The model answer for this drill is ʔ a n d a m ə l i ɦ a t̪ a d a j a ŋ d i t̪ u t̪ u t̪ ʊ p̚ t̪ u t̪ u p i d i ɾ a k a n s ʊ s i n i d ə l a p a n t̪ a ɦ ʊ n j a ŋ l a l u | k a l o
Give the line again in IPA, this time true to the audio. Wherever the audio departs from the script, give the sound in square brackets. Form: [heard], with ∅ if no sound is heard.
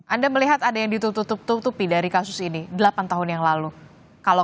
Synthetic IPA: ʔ a n d a m ə l i ɦ a t̪ a d a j a ŋ d i t̪ u t̪ u t̪ ʊ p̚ t̪ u t̪ u p i d [a] ɾ [i] k a [∅] s ʊ s i n i d ə l a p a n t̪ a ɦ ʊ n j a ŋ l a l u | k a l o